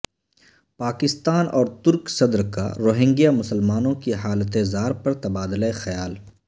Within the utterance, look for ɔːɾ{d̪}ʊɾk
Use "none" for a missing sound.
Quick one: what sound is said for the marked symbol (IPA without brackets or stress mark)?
t̪